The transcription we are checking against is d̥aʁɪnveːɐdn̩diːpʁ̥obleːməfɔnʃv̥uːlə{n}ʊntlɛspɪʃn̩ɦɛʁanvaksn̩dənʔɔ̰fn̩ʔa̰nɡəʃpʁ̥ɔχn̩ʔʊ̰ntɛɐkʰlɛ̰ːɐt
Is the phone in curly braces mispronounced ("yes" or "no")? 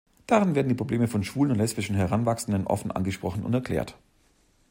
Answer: no